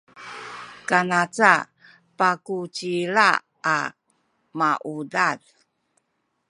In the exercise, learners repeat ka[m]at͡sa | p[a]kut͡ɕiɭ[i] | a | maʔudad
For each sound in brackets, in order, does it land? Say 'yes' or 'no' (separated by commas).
no, yes, no